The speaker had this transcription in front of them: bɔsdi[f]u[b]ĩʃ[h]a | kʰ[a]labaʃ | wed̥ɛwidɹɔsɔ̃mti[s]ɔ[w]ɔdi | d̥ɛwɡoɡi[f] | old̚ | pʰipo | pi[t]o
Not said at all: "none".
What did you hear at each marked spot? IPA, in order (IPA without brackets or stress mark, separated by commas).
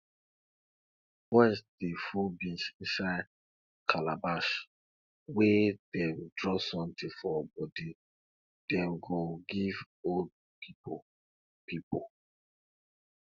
f, b, ʃ, a, f, b, v, p